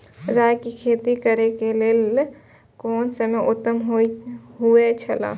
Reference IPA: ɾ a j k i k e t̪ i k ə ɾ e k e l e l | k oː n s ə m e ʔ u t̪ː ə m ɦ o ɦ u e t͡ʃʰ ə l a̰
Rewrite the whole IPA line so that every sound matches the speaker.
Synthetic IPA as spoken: ɾ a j k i kʰ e t̪ i k ə ɾ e k e l e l | k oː n s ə m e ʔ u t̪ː ə m ɦ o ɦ u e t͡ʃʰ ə l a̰